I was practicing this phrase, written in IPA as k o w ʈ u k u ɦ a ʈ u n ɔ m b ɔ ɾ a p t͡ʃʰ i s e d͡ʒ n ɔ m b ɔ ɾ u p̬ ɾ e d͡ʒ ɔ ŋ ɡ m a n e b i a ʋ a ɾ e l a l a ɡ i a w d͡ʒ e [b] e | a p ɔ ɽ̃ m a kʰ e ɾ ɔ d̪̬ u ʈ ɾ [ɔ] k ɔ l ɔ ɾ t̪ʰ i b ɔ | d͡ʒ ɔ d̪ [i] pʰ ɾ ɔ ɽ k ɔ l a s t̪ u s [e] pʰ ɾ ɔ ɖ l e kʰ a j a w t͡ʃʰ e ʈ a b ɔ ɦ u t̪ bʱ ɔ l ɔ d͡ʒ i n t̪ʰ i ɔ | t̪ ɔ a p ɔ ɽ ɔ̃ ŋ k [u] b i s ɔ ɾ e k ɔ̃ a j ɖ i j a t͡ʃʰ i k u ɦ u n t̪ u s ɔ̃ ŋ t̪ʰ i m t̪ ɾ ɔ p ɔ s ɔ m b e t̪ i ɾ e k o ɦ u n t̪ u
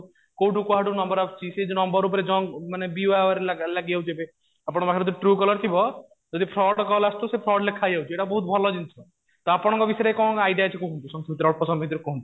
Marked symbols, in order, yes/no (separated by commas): yes, no, yes, yes, no